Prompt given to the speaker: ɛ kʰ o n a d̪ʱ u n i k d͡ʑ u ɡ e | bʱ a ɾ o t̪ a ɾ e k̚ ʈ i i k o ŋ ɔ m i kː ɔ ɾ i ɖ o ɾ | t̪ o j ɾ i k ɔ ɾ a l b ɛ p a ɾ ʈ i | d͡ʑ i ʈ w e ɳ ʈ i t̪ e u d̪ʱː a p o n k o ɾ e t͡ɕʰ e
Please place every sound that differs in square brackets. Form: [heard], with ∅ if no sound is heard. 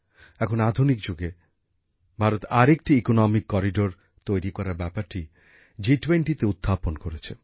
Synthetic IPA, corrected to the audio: ɛ kʰ o n a d̪ʱ u n i k d͡ʑ u ɡ e | bʱ a ɾ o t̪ a ɾ e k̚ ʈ i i k o [n] ɔ m i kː ɔ ɾ i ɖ o ɾ | t̪ o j ɾ i k ɔ ɾ a [ɾ] b ɛ p a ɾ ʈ i | d͡ʑ i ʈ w e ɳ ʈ i t̪ e u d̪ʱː a p o n k o ɾ e t͡ɕʰ e